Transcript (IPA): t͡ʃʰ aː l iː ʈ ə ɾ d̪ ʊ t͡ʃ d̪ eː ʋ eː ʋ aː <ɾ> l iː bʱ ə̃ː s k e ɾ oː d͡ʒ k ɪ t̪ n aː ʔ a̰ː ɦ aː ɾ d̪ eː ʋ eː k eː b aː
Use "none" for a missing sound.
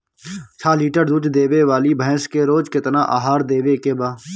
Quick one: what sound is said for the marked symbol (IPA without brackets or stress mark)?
none